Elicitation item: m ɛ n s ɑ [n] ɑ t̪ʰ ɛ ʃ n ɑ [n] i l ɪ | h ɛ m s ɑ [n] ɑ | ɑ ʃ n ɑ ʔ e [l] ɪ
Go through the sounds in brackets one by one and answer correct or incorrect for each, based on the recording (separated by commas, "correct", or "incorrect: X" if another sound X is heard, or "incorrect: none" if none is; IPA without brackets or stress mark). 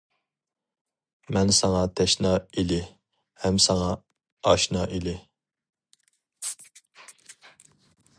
incorrect: ŋ, incorrect: none, incorrect: ŋ, correct